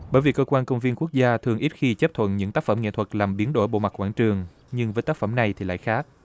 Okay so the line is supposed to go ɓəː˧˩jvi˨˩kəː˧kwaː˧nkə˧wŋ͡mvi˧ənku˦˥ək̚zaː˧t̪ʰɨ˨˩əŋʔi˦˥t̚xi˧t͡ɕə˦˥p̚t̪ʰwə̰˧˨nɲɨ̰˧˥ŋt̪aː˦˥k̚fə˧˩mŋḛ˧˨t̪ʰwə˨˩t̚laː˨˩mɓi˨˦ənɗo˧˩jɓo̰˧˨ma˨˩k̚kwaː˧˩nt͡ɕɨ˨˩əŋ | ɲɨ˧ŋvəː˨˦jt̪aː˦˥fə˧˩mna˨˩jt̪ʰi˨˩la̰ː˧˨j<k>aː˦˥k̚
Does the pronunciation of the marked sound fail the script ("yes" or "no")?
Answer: yes